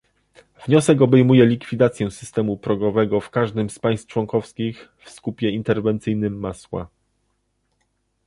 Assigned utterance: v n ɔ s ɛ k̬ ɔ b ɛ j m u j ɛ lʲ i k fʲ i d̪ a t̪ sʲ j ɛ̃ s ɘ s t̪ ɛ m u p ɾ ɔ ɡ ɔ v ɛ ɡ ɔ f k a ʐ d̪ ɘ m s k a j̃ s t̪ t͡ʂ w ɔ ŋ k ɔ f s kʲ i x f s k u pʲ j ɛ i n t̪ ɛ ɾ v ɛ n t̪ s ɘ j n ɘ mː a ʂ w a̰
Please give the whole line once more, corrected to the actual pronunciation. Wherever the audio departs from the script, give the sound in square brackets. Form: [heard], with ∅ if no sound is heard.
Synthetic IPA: v [ɲ] ɔ s ɛ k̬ ɔ b ɛ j m u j ɛ lʲ i k fʲ i d̪ a t̪ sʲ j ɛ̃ s ɘ s t̪ ɛ m u p ɾ ɔ ɡ ɔ v ɛ ɡ ɔ f k a ʐ d̪ ɘ m s [p] a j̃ s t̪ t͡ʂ w ɔ ŋ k ɔ f s kʲ i x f s k u pʲ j ɛ i n t̪ ɛ ɾ v ɛ n t̪ s ɘ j n ɘ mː a [s] w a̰